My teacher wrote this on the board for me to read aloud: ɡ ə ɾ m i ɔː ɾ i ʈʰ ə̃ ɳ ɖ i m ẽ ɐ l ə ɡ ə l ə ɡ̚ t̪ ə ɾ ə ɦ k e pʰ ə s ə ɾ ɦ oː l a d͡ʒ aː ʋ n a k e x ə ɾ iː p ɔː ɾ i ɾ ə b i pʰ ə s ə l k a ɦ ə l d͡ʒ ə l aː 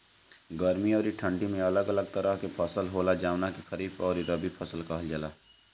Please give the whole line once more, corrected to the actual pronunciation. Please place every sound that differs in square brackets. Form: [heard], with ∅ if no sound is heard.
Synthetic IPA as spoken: ɡ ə ɾ m i ɔː ɾ i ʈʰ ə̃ ɳ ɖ i m ẽ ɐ l ə ɡ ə l ə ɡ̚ t̪ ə ɾ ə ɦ k e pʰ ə s ə [l] ɦ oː l a d͡ʒ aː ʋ n a k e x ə ɾ iː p ɔː ɾ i ɾ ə b i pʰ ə s ə l k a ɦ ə l d͡ʒ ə l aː

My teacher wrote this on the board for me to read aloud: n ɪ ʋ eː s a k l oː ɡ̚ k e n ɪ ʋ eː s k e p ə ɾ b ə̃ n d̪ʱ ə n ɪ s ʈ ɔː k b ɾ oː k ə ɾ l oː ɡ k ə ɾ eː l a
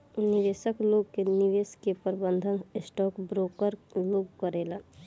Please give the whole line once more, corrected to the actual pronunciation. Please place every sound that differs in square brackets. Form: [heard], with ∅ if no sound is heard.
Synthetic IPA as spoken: n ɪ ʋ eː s [ə] k l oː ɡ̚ k e n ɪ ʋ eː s k e p ə ɾ b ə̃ n d̪ʱ ə n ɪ s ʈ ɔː k b ɾ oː k ə ɾ l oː ɡ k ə ɾ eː l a

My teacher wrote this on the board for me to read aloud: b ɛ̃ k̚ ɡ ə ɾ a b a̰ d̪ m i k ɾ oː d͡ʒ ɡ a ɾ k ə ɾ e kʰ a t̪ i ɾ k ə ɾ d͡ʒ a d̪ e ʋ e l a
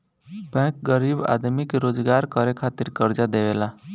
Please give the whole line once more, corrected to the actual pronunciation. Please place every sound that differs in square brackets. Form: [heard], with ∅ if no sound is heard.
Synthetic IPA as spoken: b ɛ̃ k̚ ɡ ə ɾ [i] b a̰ d̪ m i k ɾ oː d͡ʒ ɡ a ɾ k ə ɾ e kʰ a t̪ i ɾ k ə ɾ d͡ʒ a d̪ e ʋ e l a

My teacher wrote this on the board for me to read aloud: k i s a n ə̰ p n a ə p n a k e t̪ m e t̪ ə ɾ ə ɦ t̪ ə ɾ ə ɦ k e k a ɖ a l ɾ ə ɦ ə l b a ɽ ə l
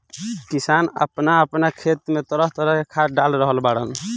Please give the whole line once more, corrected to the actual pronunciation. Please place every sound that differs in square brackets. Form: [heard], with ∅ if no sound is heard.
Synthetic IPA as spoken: k i s a n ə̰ p n a ə p n a [kʰ] e t̪ m e t̪ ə ɾ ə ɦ t̪ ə ɾ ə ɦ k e [kʰ] a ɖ a l ɾ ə ɦ ə l b a ɽ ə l

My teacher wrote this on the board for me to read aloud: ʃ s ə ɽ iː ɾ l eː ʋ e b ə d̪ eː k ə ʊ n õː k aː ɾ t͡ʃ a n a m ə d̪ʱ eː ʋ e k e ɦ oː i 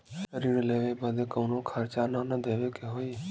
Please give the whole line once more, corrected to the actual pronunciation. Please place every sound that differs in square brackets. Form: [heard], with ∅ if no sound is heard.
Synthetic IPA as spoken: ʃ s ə [ɾ] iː ɾ l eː ʋ e b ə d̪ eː k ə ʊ n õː [kʰ] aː ɾ t͡ʃ a n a [n] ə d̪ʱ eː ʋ e k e ɦ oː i

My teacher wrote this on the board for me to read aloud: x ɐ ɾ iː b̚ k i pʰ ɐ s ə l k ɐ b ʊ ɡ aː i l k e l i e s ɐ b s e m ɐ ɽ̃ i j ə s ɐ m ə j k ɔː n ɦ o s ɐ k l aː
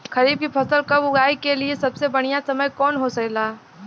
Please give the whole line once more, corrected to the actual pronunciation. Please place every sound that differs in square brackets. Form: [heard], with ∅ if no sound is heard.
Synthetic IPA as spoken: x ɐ ɾ iː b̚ k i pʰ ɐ s ə l k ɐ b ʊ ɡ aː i [∅] k e l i e s ɐ b s e [b] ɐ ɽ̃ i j [a] s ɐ m ə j k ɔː n ɦ o s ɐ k l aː

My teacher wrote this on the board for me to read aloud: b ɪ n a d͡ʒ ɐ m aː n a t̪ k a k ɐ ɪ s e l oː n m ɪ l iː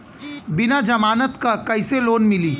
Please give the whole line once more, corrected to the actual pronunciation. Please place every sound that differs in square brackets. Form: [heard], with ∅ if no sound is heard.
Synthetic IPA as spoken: b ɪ n a d͡ʒ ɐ m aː n [ə] t̪ k a k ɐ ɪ s e l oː n m ɪ l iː

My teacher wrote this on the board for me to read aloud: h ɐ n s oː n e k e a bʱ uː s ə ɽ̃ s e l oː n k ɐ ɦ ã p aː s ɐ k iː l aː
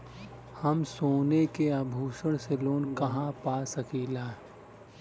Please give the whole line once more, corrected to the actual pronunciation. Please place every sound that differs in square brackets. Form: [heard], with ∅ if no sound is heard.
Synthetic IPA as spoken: h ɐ [m] s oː n e k e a bʱ uː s ə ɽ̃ s e l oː n k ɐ ɦ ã p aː s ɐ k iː l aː

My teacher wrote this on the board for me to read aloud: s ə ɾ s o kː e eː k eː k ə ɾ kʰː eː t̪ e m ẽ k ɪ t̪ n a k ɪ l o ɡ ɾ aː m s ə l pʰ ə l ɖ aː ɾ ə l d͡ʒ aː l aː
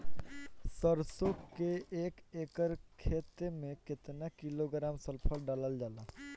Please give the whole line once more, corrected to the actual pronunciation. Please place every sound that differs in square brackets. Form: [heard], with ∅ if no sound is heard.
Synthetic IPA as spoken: s ə ɾ s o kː e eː k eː k ə ɾ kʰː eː t̪ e m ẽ k ɪ t̪ n a k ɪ l o ɡ ɾ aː m s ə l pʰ ə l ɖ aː [l] ə l d͡ʒ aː l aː

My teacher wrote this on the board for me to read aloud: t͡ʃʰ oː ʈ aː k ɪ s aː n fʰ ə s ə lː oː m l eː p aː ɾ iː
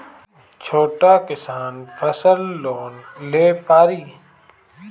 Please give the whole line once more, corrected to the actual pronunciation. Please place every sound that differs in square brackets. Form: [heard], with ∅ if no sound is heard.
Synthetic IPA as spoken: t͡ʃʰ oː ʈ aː k ɪ s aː n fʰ ə s ə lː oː [n] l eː p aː ɾ iː

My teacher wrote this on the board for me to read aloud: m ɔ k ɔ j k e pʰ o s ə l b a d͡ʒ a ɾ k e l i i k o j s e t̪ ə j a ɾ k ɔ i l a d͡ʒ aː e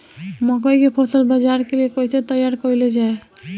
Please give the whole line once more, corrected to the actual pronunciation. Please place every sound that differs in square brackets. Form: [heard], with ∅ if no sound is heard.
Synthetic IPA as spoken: m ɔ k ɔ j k e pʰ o s ə l b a d͡ʒ a ɾ k e l i [e] k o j s e t̪ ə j a ɾ k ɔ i l [e] d͡ʒ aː e

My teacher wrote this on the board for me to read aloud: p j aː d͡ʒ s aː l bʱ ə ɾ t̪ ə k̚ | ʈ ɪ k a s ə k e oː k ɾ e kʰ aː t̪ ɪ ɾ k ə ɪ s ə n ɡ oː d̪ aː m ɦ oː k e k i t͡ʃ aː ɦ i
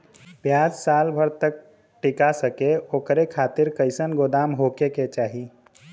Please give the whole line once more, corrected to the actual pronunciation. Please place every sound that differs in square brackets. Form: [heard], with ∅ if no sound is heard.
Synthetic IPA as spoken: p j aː d͡ʒ s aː l bʱ ə ɾ t̪ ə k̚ | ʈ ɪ k a s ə k e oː k ɾ e kʰ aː t̪ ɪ ɾ k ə ɪ s ə n ɡ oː d̪ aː m ɦ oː k e k [e] t͡ʃ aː ɦ i

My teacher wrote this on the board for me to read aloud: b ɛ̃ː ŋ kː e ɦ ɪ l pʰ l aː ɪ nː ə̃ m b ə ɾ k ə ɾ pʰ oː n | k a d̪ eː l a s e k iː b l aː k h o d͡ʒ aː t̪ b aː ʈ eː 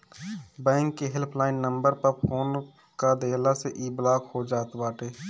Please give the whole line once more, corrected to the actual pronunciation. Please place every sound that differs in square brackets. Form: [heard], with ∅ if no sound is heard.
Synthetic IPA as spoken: b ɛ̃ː ŋ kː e ɦ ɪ l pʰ l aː ɪ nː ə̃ m b ə ɾ [p] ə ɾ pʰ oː n | k a d̪ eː l a s e [ʔ] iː b l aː k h o d͡ʒ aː t̪ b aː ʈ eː

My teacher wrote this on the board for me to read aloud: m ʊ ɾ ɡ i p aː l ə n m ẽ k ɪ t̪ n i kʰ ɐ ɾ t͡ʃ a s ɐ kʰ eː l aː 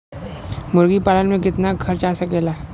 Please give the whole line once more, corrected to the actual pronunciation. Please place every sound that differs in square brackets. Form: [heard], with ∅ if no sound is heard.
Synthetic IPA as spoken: m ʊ ɾ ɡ i p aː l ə n m ẽ k ɪ t̪ n [a] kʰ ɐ ɾ t͡ʃ a s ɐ [k] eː l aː

